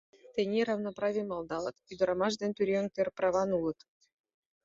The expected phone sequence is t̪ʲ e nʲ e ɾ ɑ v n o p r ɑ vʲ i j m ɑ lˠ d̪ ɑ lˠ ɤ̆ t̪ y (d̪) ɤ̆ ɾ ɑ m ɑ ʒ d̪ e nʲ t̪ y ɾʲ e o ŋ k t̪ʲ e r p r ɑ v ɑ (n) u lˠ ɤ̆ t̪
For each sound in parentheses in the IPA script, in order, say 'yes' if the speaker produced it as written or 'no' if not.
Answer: yes, yes

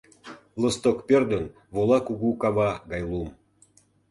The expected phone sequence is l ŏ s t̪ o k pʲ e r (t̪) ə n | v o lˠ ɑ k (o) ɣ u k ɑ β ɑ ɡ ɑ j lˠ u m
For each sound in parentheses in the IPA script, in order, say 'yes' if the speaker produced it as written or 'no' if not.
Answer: no, no

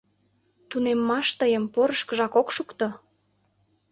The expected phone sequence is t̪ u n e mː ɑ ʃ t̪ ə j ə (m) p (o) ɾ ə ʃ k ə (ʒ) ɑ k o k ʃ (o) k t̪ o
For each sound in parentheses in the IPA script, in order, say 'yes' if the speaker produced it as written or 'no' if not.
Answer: yes, yes, yes, no

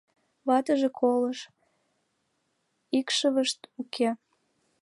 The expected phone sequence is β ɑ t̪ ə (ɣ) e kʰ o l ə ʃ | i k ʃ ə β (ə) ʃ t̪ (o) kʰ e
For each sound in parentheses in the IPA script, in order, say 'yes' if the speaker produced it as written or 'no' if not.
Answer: no, yes, no

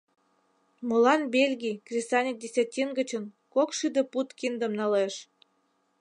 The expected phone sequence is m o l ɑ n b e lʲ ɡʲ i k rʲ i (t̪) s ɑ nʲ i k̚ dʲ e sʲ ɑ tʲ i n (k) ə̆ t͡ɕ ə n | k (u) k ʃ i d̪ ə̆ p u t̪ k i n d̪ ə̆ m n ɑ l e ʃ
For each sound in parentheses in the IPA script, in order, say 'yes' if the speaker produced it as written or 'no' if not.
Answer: no, no, no

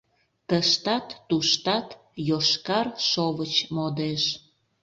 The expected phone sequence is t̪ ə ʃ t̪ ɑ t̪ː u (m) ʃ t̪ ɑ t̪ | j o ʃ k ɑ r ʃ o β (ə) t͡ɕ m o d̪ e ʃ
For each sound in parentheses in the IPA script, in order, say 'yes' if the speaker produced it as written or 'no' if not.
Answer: no, yes

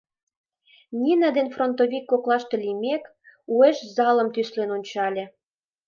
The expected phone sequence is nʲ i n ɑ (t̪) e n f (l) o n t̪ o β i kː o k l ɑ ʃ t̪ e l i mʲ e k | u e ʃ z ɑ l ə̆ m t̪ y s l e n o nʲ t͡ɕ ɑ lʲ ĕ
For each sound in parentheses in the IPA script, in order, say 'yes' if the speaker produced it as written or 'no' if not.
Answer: no, no

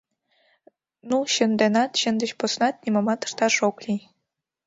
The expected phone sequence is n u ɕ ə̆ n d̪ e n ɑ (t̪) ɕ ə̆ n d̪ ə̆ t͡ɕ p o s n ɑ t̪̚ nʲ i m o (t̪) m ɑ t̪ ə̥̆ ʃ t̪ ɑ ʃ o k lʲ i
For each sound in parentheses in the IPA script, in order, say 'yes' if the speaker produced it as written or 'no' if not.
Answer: yes, no

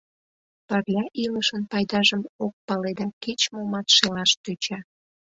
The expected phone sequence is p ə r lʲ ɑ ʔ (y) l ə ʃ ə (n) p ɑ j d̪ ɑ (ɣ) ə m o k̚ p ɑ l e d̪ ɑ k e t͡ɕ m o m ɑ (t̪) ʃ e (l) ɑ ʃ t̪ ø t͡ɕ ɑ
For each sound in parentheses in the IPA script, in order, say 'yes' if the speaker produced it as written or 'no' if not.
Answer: no, yes, no, yes, yes

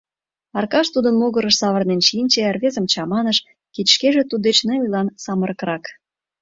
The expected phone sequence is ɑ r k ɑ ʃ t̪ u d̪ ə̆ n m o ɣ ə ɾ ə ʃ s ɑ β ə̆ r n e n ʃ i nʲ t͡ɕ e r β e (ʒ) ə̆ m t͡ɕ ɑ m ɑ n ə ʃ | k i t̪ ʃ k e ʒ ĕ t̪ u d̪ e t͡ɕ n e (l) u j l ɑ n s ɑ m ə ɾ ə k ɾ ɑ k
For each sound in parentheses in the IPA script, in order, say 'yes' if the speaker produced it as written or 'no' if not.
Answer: no, no

